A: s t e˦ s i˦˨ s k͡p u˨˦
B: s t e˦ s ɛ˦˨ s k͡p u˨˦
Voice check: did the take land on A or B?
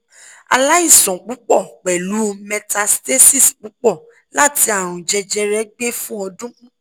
A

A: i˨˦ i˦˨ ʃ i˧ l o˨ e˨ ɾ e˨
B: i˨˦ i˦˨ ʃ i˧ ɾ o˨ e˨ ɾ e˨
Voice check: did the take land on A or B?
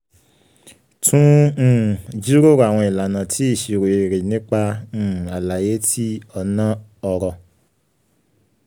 B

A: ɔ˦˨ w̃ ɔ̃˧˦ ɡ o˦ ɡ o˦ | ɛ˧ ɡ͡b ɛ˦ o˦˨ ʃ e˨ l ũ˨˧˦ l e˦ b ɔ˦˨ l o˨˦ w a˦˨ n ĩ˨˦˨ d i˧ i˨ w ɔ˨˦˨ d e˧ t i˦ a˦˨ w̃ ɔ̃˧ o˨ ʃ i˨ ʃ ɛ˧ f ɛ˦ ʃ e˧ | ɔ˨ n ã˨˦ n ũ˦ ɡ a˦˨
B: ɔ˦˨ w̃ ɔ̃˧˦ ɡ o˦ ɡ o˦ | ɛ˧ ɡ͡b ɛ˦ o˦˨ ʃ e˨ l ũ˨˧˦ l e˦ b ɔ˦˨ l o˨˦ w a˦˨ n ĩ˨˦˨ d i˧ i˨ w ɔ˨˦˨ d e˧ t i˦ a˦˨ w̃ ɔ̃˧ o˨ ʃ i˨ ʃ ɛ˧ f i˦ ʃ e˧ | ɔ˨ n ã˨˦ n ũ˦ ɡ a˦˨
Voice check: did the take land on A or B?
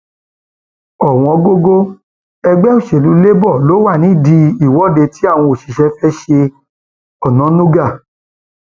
A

